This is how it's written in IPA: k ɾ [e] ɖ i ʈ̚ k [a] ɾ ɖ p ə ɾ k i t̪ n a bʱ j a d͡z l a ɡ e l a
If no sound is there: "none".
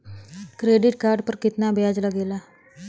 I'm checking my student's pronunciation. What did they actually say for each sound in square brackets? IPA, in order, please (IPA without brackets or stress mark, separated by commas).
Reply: e, a